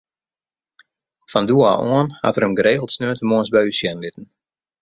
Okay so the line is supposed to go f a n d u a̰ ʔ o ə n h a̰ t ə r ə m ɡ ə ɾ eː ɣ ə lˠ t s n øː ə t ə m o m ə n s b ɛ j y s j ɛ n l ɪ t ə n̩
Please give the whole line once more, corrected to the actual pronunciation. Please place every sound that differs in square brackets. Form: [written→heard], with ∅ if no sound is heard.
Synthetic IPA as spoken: f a n d u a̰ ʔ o ə n h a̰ t ə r ə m ɡ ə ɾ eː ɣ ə lˠ t s n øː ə t ə m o [m→∅] ə n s b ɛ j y s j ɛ n l ɪ t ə n̩